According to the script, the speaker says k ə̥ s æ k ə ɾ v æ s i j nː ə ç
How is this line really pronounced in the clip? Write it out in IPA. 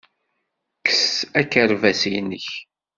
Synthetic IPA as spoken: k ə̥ s æ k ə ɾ v æ s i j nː ə ç